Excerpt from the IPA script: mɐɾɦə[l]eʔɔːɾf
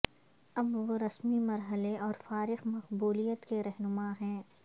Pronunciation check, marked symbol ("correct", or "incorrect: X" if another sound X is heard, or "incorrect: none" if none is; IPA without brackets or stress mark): correct